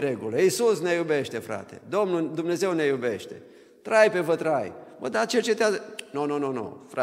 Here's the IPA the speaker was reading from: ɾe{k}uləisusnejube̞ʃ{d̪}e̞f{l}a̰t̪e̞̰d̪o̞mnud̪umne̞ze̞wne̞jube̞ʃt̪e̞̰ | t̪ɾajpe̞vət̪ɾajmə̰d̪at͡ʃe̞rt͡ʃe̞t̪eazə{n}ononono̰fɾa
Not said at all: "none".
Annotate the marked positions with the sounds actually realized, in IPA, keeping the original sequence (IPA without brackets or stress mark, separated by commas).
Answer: ɡ, t̪, ɾ, n